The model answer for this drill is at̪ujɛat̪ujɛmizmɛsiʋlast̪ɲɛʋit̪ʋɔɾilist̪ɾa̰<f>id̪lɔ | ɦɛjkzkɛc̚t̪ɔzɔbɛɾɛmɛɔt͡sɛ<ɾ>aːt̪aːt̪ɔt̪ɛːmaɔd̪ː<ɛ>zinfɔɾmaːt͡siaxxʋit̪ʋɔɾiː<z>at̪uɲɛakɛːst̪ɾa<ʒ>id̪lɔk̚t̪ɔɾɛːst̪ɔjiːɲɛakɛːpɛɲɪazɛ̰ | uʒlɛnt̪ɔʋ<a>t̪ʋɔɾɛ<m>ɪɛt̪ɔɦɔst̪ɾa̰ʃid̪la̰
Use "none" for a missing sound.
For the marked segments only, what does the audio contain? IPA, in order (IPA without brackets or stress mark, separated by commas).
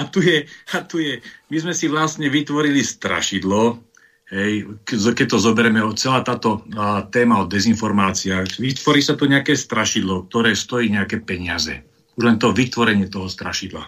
ʃ, l, ɛ, s, ʃ, i, ɲ